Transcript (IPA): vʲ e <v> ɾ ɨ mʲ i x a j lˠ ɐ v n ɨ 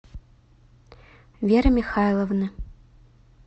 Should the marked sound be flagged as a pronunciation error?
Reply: yes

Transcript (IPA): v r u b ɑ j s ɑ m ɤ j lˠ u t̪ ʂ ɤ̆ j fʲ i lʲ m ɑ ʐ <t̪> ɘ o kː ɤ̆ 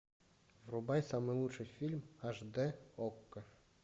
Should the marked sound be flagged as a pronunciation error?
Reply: yes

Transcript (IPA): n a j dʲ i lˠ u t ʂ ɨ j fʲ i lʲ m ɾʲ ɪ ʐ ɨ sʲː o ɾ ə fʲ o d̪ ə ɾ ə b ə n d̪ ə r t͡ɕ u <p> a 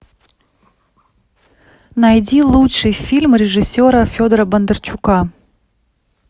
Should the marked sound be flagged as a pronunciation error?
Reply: yes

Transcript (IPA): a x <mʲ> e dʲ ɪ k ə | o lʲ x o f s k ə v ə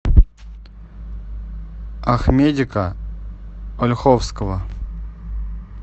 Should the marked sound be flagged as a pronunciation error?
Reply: no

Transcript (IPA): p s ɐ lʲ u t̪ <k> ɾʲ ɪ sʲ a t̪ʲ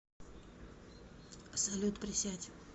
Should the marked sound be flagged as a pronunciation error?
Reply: yes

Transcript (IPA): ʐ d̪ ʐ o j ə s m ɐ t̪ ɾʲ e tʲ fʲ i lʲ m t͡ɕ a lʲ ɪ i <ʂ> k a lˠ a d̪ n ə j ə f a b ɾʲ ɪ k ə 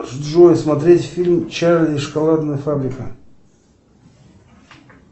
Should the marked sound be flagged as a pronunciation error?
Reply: no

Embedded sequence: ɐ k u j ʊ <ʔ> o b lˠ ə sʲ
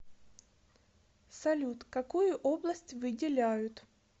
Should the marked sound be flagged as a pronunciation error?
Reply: no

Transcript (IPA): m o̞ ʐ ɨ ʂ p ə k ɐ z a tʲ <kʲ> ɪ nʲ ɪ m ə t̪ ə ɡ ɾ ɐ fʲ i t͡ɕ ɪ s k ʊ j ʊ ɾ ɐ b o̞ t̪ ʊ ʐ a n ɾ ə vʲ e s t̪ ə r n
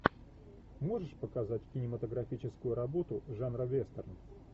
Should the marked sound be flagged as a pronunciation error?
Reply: no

